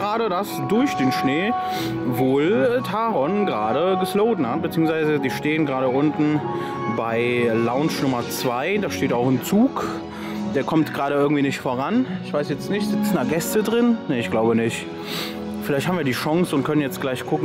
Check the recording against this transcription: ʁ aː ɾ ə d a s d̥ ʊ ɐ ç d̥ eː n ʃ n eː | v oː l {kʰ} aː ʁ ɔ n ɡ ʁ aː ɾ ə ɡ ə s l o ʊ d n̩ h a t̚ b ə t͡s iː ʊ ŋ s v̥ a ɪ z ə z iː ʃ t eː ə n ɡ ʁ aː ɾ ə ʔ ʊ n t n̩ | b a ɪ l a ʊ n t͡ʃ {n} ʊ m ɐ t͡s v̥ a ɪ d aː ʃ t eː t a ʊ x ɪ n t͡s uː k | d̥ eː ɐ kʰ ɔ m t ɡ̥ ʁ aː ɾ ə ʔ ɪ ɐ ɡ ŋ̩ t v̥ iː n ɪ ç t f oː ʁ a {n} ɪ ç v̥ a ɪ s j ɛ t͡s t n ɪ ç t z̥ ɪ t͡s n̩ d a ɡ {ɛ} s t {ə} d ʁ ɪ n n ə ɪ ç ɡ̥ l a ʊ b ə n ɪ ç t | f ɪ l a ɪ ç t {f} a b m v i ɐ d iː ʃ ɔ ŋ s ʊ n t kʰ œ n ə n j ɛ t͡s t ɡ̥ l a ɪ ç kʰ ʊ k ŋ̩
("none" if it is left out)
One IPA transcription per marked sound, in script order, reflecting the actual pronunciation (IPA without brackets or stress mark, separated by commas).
tʰ, n, n, ɛ, ə, h